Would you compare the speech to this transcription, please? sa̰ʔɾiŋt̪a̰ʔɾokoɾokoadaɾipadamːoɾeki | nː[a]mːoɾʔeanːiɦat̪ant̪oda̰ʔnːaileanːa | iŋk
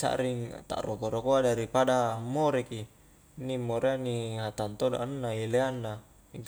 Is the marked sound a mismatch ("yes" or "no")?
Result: yes